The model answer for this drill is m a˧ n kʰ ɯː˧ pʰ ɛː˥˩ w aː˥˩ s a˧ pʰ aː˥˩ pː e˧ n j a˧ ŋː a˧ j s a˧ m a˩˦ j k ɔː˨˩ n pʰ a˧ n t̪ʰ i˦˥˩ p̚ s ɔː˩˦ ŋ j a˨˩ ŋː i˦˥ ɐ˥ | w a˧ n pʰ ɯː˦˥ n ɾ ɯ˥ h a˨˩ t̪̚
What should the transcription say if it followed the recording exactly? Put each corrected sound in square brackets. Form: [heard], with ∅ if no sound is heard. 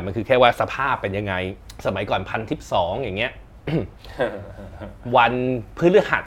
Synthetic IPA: m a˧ n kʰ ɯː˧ [kʰ] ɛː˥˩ w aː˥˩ s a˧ pʰ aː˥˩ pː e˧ n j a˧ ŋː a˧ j s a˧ m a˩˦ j k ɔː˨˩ n pʰ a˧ n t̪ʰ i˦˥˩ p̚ s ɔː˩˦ ŋ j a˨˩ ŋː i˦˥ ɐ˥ | w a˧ n pʰ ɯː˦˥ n [l] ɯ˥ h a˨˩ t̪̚